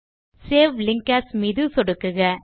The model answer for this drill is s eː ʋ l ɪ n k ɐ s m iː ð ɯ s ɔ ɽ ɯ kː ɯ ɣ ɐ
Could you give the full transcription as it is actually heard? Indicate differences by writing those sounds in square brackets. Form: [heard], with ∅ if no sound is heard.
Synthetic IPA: s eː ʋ l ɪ [ŋ] k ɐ s m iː ð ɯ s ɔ ɽ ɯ kː ɯ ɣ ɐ